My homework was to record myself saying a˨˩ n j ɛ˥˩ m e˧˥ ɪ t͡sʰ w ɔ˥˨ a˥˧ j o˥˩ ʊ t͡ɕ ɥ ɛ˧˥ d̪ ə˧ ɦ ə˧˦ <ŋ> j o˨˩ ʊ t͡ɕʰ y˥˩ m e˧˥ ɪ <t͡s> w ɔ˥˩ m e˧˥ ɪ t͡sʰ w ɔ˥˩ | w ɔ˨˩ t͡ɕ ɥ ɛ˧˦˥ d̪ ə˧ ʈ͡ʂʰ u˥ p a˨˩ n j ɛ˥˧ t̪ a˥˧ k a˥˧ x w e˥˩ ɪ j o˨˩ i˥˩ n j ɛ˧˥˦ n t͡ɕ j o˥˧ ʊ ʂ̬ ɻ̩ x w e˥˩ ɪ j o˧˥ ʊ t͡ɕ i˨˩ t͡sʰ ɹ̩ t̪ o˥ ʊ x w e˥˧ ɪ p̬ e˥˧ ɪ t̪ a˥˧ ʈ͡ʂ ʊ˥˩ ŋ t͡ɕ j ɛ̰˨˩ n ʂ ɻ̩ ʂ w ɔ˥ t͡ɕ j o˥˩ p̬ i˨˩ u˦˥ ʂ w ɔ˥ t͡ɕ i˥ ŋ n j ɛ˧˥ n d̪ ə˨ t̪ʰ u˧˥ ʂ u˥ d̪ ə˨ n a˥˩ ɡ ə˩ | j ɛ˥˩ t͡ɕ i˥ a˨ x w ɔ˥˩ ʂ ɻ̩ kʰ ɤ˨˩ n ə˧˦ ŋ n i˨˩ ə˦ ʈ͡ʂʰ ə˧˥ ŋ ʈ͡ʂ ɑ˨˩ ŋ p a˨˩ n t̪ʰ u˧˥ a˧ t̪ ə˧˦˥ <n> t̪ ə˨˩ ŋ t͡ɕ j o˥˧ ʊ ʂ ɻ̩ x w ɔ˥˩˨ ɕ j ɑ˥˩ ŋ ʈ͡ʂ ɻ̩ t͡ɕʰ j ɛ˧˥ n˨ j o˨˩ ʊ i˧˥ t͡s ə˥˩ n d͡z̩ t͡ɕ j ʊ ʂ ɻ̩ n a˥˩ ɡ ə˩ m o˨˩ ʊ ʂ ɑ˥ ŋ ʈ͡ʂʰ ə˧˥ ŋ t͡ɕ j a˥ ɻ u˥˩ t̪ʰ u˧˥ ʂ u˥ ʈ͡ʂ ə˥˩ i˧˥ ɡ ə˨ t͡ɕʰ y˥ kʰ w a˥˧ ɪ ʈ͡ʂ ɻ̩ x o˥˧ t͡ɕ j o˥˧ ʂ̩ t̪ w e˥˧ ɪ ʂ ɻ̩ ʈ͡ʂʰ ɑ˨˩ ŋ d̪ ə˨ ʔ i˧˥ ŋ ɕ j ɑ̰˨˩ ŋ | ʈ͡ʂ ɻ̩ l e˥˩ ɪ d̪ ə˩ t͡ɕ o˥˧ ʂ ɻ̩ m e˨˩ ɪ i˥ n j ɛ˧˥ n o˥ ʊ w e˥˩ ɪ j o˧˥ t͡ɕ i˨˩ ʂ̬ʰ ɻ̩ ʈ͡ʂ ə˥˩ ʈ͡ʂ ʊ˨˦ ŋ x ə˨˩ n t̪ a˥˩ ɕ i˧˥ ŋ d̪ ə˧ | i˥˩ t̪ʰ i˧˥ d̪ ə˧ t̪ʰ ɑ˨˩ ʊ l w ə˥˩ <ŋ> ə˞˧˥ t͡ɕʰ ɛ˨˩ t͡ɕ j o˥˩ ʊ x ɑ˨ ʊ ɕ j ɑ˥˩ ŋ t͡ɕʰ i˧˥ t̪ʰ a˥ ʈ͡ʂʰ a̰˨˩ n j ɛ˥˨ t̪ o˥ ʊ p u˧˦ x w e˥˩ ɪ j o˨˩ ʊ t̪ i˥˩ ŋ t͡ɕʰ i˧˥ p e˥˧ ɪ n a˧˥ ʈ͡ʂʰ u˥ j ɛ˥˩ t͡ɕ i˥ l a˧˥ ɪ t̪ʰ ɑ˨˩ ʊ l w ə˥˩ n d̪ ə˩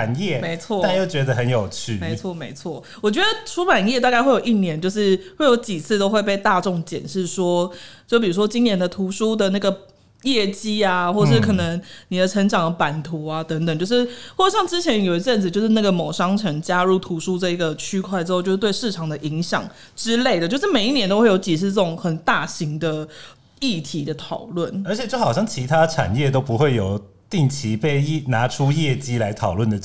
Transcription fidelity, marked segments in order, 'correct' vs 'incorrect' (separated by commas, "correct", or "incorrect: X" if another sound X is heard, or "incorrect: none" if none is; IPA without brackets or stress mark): incorrect: n, incorrect: t͡sʰ, incorrect: ŋ, incorrect: n